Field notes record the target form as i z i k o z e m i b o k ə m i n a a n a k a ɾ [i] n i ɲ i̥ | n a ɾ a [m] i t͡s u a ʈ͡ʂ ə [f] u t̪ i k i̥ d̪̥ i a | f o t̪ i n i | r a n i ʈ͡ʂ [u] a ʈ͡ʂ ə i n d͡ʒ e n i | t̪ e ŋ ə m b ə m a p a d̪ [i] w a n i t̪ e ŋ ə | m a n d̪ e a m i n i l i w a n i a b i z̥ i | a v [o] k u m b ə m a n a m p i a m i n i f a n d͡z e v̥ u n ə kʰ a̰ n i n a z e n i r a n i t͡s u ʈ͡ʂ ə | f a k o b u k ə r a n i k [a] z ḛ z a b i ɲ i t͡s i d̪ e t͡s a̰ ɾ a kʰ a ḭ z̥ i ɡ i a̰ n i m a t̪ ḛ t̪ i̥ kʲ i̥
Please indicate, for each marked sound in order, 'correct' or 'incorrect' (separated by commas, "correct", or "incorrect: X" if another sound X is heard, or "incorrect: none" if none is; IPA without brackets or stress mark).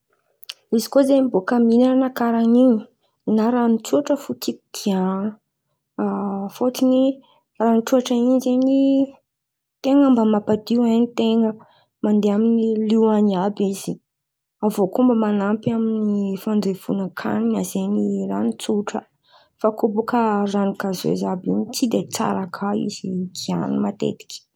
incorrect: a, incorrect: n, correct, correct, correct, correct, correct